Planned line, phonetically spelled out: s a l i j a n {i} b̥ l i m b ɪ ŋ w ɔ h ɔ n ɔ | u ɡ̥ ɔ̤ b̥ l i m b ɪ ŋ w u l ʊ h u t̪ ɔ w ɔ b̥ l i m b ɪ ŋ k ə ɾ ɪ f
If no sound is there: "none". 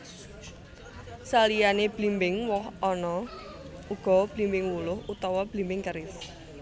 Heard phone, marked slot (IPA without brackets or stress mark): e